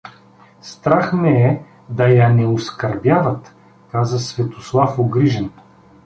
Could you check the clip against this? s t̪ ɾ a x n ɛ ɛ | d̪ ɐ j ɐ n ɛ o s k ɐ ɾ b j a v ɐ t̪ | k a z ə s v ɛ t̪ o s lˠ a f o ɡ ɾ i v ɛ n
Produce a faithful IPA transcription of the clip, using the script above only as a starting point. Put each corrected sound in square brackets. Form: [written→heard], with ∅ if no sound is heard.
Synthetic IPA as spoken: s t̪ ɾ a x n ɛ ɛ | d̪ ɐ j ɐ n ɛ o s k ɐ ɾ b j a v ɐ t̪ | k a z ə s v ɛ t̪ o s lˠ a f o ɡ ɾ i [v→ʒ] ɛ n